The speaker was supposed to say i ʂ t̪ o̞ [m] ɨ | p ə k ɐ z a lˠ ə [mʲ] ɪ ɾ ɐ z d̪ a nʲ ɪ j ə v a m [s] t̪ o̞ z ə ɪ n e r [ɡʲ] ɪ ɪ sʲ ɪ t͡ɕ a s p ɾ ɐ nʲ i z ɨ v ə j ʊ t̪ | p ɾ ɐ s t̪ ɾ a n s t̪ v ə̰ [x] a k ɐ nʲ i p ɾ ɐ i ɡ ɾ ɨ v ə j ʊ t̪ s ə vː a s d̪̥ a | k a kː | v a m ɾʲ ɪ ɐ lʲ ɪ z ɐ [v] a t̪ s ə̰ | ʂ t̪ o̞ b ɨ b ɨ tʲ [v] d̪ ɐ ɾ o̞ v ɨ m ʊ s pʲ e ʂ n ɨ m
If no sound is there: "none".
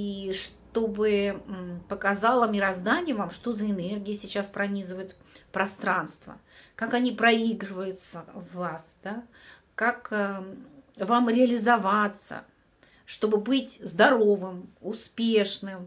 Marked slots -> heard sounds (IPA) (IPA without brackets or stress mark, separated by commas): b, mʲ, ʂ, ɡʲ, k, v, z